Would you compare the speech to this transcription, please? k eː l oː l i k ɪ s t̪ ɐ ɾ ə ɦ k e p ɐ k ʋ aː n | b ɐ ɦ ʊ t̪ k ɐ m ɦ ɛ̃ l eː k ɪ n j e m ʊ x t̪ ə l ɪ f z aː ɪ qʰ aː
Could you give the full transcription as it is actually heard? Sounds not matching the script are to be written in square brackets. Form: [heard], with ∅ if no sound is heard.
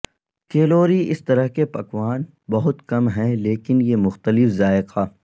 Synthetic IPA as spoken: k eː l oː [ɾ] i [∅] ɪ s t̪ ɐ ɾ ə ɦ k e p ɐ k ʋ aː n | b ɐ ɦ ʊ t̪ k ɐ m ɦ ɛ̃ l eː k ɪ n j e m ʊ x t̪ ə l ɪ f z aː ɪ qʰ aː